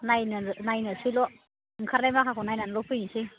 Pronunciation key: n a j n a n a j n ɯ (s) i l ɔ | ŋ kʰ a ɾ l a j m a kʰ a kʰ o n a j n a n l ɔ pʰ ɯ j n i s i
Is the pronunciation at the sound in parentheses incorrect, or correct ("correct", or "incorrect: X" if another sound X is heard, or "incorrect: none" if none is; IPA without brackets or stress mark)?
correct